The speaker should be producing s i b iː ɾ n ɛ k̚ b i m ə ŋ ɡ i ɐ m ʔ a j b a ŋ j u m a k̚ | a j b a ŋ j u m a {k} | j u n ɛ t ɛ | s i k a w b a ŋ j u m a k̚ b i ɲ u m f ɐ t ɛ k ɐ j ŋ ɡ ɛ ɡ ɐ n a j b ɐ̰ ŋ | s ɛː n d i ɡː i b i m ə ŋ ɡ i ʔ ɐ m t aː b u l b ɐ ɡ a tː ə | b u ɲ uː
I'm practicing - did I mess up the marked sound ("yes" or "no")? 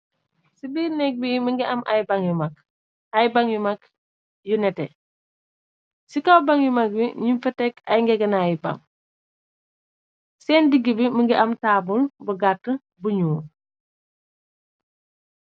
no